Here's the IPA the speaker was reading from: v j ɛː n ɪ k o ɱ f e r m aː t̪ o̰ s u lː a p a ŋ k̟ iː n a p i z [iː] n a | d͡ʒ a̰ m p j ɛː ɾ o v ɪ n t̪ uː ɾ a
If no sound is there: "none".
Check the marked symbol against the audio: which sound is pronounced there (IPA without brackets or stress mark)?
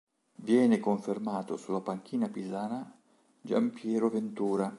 aː